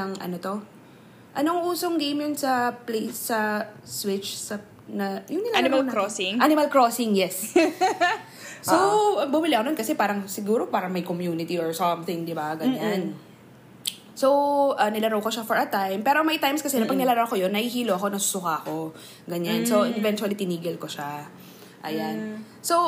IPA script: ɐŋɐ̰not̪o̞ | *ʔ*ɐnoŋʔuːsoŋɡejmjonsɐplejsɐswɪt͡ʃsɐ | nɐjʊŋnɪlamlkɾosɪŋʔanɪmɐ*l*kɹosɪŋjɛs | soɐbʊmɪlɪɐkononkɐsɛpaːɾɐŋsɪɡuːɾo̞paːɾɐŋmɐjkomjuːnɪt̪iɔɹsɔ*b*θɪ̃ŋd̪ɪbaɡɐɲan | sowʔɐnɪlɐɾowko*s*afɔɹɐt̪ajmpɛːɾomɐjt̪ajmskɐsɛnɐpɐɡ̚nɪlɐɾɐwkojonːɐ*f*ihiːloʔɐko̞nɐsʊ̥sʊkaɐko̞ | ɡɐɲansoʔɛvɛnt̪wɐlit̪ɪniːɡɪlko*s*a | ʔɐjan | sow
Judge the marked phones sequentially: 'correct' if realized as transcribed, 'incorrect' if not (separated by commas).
correct, correct, incorrect, incorrect, incorrect, incorrect